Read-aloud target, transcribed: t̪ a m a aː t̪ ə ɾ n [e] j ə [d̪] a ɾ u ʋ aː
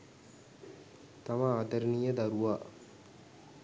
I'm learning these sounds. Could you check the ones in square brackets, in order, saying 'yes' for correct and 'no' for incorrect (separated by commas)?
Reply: no, yes